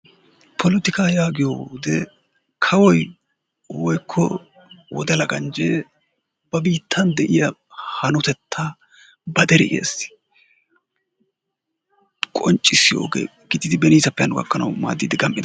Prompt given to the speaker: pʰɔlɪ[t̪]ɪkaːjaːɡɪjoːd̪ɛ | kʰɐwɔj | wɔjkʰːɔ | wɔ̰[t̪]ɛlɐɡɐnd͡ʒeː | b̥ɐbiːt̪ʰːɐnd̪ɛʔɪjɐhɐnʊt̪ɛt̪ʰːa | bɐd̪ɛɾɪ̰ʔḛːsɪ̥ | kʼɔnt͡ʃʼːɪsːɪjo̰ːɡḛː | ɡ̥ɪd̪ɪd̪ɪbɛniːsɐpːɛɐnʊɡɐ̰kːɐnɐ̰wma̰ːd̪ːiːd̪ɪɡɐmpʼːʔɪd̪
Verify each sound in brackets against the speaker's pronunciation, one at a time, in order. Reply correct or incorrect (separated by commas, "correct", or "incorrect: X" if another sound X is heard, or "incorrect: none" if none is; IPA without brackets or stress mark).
correct, incorrect: d̪